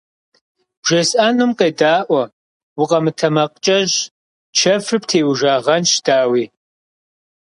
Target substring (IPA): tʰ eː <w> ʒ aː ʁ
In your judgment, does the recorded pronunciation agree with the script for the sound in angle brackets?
yes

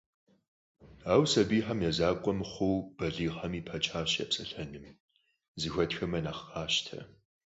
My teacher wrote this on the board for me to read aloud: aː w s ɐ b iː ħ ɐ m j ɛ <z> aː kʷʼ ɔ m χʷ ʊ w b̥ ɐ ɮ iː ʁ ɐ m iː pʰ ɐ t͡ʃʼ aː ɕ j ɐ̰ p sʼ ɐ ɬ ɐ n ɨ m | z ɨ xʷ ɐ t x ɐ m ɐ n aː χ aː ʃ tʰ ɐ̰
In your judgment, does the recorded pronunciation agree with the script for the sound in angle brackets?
yes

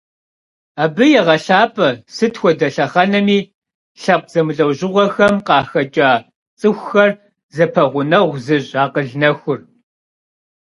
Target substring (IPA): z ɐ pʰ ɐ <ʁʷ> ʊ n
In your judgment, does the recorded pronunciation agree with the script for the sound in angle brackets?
yes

